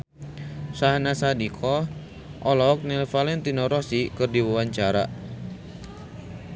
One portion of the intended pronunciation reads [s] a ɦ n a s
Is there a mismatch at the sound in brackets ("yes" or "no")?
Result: no